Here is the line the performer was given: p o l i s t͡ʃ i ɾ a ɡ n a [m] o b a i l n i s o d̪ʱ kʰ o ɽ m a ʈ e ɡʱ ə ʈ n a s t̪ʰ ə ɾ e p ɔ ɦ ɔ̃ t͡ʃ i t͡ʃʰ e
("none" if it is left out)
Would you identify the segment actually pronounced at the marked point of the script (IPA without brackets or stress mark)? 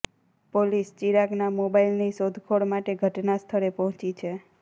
m